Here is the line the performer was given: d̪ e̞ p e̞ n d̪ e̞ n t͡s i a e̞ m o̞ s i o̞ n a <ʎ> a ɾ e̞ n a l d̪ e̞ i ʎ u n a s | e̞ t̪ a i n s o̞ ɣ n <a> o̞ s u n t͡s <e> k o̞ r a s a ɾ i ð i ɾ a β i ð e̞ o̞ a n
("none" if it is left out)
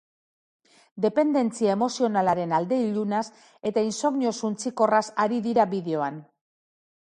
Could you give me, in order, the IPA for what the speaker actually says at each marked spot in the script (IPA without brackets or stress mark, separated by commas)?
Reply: l, i, i